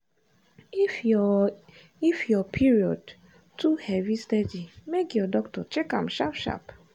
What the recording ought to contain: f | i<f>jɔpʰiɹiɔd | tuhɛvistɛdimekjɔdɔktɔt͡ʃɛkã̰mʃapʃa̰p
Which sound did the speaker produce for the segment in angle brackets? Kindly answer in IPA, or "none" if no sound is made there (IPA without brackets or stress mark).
f